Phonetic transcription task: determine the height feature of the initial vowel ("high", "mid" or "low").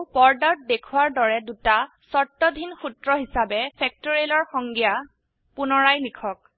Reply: mid